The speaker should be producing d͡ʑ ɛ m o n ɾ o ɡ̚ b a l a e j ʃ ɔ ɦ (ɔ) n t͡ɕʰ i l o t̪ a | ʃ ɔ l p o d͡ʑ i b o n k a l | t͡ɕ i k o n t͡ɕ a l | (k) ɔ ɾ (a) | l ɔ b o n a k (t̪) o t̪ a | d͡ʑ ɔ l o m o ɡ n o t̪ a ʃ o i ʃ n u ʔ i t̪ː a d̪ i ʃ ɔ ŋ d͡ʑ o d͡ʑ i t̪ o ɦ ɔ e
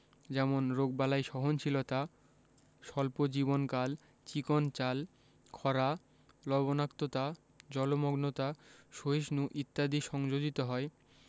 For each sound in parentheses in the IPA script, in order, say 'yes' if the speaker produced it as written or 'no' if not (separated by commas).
no, no, yes, yes